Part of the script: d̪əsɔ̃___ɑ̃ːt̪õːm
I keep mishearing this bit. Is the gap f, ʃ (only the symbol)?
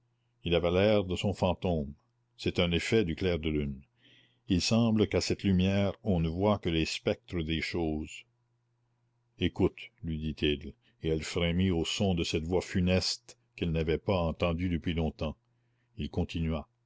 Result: f